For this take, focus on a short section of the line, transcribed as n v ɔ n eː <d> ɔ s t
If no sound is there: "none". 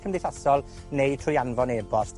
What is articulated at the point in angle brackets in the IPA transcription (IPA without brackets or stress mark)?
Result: b